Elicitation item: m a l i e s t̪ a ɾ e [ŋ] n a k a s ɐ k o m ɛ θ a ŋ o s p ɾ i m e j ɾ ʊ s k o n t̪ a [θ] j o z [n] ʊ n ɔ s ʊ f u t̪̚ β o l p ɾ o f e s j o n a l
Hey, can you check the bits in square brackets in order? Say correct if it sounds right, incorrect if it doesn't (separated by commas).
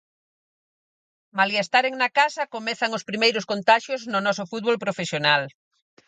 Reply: correct, incorrect, correct